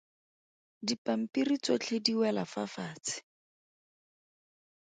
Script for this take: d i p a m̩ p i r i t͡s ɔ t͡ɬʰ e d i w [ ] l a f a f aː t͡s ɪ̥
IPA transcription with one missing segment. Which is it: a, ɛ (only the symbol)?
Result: ɛ